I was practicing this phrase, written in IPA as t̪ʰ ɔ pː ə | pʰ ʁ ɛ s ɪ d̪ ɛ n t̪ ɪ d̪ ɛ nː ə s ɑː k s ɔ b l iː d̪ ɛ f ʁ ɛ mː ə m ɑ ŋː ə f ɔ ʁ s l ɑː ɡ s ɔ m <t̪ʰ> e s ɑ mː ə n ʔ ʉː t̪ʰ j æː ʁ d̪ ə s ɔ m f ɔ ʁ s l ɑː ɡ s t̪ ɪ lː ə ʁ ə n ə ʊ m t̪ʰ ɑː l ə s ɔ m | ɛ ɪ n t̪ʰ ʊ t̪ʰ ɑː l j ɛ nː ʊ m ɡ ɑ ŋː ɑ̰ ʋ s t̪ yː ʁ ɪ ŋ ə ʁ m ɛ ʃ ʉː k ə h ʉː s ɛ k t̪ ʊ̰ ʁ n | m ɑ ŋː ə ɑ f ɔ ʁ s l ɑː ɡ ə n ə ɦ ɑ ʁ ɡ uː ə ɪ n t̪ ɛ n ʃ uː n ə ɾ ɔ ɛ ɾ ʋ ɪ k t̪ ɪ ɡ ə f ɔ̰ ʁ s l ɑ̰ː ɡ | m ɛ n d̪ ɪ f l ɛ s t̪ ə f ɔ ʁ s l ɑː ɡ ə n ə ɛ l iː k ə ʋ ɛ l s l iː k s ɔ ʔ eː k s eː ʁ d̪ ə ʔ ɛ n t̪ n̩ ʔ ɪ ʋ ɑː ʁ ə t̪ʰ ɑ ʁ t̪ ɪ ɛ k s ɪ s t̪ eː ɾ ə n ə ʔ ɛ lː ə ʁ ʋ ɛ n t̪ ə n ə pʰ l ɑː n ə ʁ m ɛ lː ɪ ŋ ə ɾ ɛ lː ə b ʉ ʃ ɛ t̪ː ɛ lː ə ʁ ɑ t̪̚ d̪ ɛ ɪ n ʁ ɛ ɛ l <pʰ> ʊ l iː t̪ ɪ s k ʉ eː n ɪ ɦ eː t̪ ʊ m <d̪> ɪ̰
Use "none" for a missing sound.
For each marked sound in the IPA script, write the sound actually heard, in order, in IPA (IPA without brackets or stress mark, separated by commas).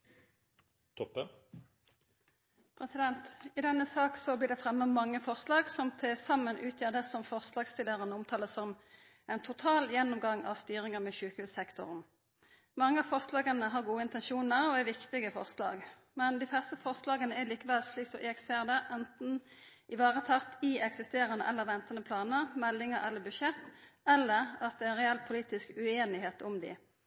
t̪ʰ, pʰ, d̪